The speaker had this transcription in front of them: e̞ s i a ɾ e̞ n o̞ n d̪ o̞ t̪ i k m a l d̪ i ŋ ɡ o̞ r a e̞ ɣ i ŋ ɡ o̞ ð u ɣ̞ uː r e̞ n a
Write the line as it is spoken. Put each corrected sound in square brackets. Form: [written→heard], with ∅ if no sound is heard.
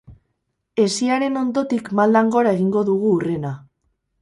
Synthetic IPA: e̞ s i a ɾ e̞ n o̞ n d̪ o̞ t̪ i k m a l d̪ [i→a] ŋ ɡ o̞ [r→ɾ] a e̞ ɣ i ŋ ɡ o̞ ð u ɣ̞ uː r e̞ n a